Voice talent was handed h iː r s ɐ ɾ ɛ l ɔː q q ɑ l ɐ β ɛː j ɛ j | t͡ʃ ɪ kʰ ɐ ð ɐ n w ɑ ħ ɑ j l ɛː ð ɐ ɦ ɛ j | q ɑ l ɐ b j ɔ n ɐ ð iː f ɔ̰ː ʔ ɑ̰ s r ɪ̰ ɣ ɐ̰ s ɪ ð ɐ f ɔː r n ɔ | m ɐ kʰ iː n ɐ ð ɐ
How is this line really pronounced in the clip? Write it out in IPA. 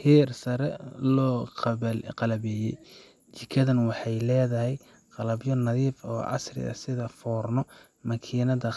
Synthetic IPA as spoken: h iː r s ɐ ɾ ɛ l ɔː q q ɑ l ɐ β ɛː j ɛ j | t͡ʃ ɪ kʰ ɐ ð ɐ n w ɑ ħ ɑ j l ɛː ð ɐ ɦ ɛ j | q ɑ l ɐ b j ɔ n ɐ ð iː f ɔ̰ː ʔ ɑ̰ s r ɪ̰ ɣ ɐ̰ s ɪ ð ɐ f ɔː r n ɔ | m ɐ kʰ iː n ɐ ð ɐ